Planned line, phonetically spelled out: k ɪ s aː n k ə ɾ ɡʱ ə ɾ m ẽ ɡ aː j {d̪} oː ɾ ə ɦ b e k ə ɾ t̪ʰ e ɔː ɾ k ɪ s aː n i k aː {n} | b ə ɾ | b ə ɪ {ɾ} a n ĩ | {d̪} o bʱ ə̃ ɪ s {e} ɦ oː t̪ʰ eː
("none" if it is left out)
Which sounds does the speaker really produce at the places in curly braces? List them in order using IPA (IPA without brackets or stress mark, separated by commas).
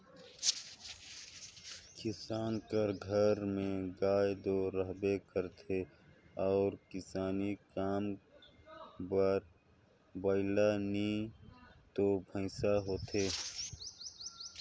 d̪, m, l, t̪, a